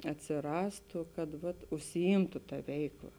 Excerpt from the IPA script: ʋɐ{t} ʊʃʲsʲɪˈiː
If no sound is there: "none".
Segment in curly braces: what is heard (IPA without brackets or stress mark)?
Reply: t